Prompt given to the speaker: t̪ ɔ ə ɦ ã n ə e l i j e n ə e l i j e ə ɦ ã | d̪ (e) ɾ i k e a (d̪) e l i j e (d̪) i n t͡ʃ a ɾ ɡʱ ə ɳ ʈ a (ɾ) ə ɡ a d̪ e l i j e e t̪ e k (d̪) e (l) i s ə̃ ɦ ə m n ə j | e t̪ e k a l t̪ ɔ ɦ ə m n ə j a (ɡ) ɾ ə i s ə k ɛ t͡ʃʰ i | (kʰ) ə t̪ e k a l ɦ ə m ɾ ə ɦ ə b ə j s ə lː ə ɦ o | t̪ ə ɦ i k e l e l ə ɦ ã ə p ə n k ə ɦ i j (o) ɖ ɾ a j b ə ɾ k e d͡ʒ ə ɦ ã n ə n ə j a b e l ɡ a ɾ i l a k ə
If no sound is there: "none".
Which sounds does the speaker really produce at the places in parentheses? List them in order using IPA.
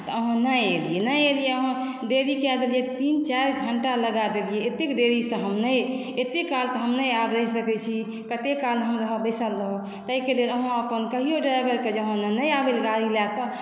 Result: e, d̪, t̪, l, d̪, ɾ, b, k, o

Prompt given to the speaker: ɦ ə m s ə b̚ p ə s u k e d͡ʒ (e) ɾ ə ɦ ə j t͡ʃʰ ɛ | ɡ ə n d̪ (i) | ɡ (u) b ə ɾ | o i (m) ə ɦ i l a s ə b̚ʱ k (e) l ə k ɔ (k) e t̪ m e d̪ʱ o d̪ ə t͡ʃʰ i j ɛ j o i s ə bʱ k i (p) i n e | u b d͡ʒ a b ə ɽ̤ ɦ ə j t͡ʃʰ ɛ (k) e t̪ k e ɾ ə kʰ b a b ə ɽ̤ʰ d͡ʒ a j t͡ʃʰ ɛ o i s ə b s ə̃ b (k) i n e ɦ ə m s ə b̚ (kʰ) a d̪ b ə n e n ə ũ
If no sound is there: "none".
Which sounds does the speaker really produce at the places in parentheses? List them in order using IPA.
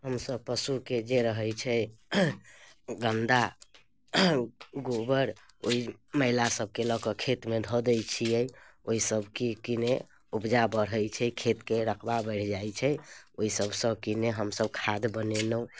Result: e, a, o, m, e, kʰ, k, kʰ, k, kʰ

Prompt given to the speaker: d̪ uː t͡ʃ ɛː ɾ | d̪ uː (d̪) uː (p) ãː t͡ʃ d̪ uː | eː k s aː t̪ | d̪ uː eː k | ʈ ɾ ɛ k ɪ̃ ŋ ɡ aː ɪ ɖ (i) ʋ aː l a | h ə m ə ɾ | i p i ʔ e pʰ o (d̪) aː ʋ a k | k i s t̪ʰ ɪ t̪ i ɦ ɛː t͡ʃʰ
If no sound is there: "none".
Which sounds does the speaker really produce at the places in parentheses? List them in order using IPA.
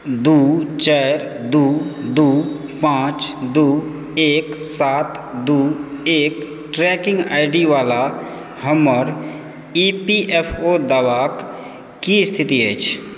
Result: d̪, p, i, d̪

